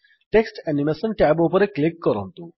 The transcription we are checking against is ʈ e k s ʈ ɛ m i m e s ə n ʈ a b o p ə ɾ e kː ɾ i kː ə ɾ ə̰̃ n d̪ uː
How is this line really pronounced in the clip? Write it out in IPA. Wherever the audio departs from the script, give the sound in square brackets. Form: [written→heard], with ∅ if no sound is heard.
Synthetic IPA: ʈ e k s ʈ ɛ [m→n] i m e s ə n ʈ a b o p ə ɾ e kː [ɾ→l] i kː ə ɾ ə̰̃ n [d̪→t̪] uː